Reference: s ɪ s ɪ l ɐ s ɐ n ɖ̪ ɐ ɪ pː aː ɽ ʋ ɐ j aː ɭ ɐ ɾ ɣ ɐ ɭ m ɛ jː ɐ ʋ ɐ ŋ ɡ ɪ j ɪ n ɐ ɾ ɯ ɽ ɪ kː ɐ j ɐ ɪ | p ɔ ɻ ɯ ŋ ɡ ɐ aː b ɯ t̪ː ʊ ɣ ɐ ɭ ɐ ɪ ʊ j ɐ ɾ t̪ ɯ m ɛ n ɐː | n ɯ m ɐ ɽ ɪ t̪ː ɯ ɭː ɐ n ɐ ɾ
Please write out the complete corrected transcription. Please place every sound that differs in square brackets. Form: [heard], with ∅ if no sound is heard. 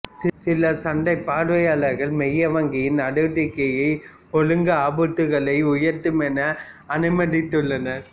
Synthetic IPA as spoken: s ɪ s ɪ l ɐ s ɐ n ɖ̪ ɐ ɪ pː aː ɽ ʋ ɐ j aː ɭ ɐ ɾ ɣ ɐ ɭ m ɛ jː ɐ ʋ ɐ ŋ ɡ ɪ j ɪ n ɐ [ɽ] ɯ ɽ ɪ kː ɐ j ɐ ɪ | p ɔ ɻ ɯ ŋ ɡ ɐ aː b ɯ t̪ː [ɯ] ɣ ɐ ɭ ɐ ɪ ʊ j ɐ ɾ t̪ ɯ m ɛ n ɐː | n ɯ m ɐ ɽ ɪ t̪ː ɯ ɭː ɐ n ɐ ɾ